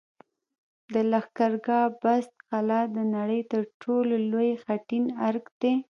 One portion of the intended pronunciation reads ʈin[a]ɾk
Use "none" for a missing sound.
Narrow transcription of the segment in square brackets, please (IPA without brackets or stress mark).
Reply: a